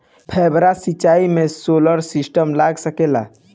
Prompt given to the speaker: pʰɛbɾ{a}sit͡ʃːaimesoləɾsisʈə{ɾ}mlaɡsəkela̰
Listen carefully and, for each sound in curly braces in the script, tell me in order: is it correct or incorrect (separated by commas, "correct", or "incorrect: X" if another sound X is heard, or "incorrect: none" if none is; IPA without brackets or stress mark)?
correct, incorrect: none